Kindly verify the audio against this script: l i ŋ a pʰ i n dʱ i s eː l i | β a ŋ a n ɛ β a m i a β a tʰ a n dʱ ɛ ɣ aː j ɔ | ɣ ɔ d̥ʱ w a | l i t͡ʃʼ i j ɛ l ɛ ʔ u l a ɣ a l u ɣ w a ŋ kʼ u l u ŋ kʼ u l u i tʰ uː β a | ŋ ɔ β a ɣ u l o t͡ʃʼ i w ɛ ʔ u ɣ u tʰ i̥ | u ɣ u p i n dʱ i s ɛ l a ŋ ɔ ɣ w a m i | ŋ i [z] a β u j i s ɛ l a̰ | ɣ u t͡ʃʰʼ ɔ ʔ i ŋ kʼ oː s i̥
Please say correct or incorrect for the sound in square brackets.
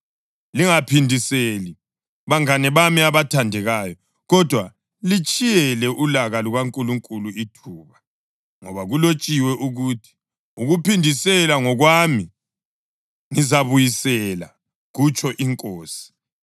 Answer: correct